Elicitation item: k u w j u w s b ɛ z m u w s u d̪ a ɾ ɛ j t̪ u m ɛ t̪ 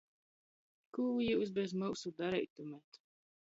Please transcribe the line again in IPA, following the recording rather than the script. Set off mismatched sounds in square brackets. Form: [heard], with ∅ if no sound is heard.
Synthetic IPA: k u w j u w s b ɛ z m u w s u d̪ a ɾ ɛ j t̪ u m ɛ t̪